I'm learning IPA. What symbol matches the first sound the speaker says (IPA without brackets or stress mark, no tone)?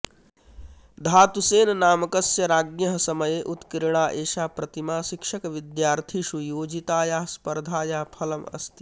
d̪ʱ